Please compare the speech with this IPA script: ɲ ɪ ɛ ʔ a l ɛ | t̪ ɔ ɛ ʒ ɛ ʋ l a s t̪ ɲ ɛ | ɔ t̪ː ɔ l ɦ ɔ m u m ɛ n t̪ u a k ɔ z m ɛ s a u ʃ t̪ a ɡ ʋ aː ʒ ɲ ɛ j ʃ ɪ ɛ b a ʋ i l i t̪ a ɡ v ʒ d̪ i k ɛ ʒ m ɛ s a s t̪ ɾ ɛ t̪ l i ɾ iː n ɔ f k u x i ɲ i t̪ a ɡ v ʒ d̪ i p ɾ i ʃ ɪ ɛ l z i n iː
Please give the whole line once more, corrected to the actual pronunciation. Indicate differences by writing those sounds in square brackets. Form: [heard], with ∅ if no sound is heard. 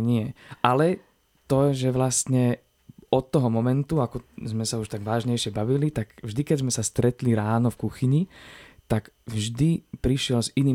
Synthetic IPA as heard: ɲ ɪ ɛ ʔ a l ɛ | t̪ ɔ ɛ ʒ ɛ ʋ l a s t̪ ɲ ɛ | ɔ t̪ː ɔ [∅] ɦ ɔ m [ɔ] m ɛ n t̪ u a k ɔ z m ɛ s a u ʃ t̪ a ɡ ʋ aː ʒ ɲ ɛ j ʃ ɪ ɛ b a ʋ i l i t̪ a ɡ v ʒ d̪ i k ɛ [z] m ɛ s a s t̪ ɾ ɛ t̪ l i ɾ [aː] n ɔ f k u x i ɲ i t̪ a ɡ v ʒ d̪ i p ɾ i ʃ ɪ ɛ l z i n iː